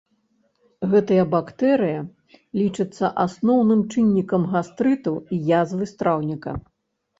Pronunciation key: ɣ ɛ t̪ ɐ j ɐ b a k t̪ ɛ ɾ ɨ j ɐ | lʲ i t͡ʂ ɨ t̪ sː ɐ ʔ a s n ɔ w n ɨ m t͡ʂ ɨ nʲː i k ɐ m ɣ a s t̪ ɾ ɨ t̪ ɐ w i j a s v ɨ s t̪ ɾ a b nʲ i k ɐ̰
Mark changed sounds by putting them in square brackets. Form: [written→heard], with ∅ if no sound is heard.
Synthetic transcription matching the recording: ɣ ɛ t̪ ɐ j ɐ b a k t̪ ɛ ɾ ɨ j ɐ | lʲ i t͡ʂ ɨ t̪ sː ɐ ʔ a s n ɔ w n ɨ m t͡ʂ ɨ nʲː i k ɐ m ɣ a s t̪ ɾ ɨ t̪ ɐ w i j a [s→z] v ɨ s t̪ ɾ a [b→w] nʲ i k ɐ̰

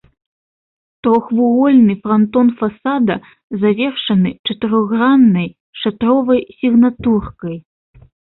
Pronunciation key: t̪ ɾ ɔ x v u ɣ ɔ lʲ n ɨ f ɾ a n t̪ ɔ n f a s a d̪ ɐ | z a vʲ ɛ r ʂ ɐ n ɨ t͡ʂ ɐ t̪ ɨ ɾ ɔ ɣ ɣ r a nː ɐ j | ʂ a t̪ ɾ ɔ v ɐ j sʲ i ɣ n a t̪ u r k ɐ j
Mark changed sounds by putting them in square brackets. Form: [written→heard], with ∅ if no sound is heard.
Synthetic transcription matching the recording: t̪ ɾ ɔ x v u ɣ ɔ lʲ n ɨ f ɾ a n t̪ ɔ n f a s a d̪ ɐ | z a vʲ ɛ r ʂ ɐ n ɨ t͡ʂ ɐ t̪ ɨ ɾ ɔ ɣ ɣ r a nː ɐ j | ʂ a t̪ ɾ ɔ v ɐ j sʲ i ɣ n a t̪ u r k ɐ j

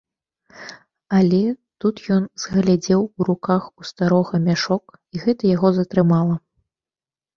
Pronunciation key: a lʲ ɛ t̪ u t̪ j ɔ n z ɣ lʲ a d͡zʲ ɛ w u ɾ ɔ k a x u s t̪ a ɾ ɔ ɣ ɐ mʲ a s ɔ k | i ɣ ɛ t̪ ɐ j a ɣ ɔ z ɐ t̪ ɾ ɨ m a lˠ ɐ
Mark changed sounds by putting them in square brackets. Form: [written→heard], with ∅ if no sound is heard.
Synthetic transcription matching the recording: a lʲ ɛ t̪ u t̪ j ɔ n z ɣ lʲ a d͡zʲ ɛ w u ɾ [ɔ→u] k a x u s t̪ a ɾ ɔ ɣ ɐ mʲ a [s→ʂ] ɔ k | i ɣ ɛ t̪ ɐ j a ɣ ɔ z ɐ t̪ ɾ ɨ m a lˠ ɐ

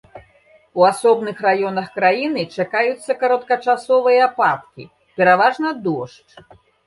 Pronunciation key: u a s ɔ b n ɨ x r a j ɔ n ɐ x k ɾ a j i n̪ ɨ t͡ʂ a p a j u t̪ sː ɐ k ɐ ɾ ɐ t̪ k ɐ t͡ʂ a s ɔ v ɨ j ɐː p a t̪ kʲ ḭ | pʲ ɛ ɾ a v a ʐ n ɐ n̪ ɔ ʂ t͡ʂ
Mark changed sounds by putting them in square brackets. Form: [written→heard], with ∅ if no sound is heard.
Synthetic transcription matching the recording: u a s ɔ b n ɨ x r a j ɔ n ɐ x k ɾ a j i n̪ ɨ t͡ʂ a [p→k] a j u t̪ sː ɐ k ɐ ɾ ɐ t̪ k ɐ t͡ʂ a s ɔ v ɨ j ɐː p a t̪ kʲ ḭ | pʲ ɛ ɾ a v a ʐ n ɐ [n̪→d̪] ɔ ʂ t͡ʂ

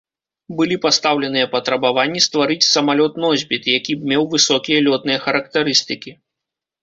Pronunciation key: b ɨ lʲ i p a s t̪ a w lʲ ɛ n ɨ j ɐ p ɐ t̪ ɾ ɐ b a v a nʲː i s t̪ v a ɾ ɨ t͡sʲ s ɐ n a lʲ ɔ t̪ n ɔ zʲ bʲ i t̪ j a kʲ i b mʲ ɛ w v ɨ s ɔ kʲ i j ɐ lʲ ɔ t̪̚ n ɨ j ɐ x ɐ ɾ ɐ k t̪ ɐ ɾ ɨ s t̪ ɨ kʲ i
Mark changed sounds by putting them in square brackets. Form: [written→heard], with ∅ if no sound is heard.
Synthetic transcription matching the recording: b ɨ lʲ i p a s t̪ a w lʲ ɛ n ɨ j ɐ p ɐ t̪ ɾ ɐ b a v a nʲː i s t̪ v a ɾ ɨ t͡sʲ s ɐ [n→m] a lʲ ɔ t̪ n ɔ zʲ bʲ i t̪ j a kʲ i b mʲ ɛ w v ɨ s ɔ kʲ i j ɐ lʲ ɔ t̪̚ n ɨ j ɐ x ɐ ɾ ɐ k t̪ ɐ ɾ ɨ s t̪ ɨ kʲ i

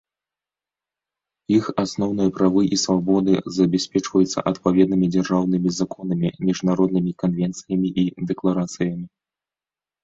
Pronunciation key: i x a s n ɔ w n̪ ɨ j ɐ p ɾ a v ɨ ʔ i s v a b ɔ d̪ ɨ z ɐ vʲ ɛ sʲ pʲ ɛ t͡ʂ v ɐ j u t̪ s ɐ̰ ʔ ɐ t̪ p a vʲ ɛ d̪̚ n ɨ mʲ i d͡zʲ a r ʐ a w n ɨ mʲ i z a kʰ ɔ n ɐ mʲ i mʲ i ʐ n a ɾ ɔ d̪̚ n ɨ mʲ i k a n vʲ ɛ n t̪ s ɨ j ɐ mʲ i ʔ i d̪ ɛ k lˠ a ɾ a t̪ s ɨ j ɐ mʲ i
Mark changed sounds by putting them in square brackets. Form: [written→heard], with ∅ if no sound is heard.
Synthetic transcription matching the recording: i x a s n ɔ w n̪ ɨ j ɐ p ɾ a v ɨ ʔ i s v a b ɔ d̪ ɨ z ɐ [vʲ→bʲ] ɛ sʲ pʲ ɛ t͡ʂ v ɐ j u t̪ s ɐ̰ ʔ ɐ t̪ p a vʲ ɛ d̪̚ n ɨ mʲ i d͡zʲ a r ʐ a w n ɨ mʲ i z a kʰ ɔ n ɐ mʲ i mʲ i ʐ n a ɾ ɔ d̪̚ n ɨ mʲ i k a n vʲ ɛ n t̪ s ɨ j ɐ mʲ i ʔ i d̪ ɛ k lˠ a ɾ a t̪ s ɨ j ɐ mʲ i

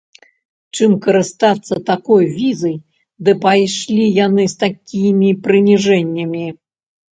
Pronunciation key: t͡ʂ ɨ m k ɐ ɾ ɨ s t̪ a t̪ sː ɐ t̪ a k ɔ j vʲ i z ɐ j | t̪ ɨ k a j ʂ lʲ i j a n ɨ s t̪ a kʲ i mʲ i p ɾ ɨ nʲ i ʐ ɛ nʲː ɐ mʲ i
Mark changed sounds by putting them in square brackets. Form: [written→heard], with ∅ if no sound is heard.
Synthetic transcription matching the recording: t͡ʂ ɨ m k ɐ ɾ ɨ s t̪ a t̪ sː ɐ t̪ a k ɔ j vʲ i z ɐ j | [t̪→d̪] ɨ [k→p] a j ʂ lʲ i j a n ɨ s t̪ a kʲ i mʲ i p ɾ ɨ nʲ i ʐ ɛ nʲː ɐ mʲ i

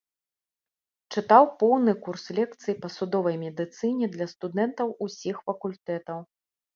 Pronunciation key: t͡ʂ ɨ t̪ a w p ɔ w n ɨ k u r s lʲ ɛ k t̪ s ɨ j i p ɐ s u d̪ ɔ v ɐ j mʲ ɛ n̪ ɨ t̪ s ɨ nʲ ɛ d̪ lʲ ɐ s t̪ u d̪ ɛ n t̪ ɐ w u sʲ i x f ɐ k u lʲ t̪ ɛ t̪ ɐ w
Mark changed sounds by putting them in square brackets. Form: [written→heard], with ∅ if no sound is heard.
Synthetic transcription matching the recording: t͡ʂ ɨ t̪ a w p ɔ w n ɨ k u r s lʲ ɛ k t̪ s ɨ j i p ɐ s u d̪ ɔ v ɐ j mʲ ɛ [n̪→d̪] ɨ t̪ s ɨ nʲ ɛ d̪ lʲ ɐ s t̪ u d̪ ɛ n t̪ ɐ w u sʲ i x f ɐ k u lʲ t̪ ɛ t̪ ɐ w

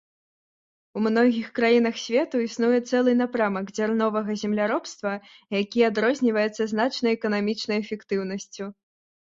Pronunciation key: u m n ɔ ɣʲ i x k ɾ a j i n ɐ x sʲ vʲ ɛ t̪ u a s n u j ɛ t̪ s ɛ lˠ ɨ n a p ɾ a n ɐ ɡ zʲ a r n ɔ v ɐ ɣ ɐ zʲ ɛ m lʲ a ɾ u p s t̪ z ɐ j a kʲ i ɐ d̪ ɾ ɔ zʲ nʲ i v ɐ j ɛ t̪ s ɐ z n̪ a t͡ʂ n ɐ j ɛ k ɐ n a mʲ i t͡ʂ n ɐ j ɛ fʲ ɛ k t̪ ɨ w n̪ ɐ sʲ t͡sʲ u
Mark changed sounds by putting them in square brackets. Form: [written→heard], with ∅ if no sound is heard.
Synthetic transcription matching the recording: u m n ɔ ɣʲ i x k ɾ a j i n ɐ x sʲ vʲ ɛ t̪ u [a→i] s n u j ɛ t̪ s ɛ lˠ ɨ n a p ɾ a [n→m] ɐ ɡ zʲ a r n ɔ v ɐ ɣ ɐ zʲ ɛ m lʲ a ɾ [u→ɔ] p s t̪ [z→v] ɐ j a kʲ i [ɐ→a] d̪ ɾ ɔ zʲ nʲ i v ɐ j ɛ t̪ s ɐ z n̪ a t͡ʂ n ɐ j ɛ k ɐ n a mʲ i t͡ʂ n ɐ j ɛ fʲ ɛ k t̪ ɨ w n̪ ɐ sʲ t͡sʲ u

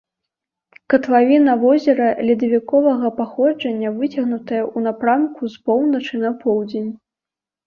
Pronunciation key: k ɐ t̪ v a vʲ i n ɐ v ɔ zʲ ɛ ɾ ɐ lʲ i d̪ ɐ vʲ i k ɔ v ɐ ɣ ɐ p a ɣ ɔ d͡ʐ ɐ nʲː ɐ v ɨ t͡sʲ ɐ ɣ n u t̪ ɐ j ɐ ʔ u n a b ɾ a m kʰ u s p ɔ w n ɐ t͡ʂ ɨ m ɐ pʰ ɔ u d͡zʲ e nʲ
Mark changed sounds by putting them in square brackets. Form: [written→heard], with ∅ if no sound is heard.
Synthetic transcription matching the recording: k ɐ t̪ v a vʲ i n ɐ v ɔ zʲ ɛ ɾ ɐ lʲ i d̪ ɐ vʲ i k ɔ v ɐ ɣ ɐ p a [ɣ→x] ɔ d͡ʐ ɐ nʲː ɐ v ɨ t͡sʲ ɐ ɣ n u t̪ ɐ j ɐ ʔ u n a [b→p] ɾ a m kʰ u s p ɔ w n ɐ t͡ʂ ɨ [m→n] ɐ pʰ ɔ [u→w] d͡zʲ e nʲ

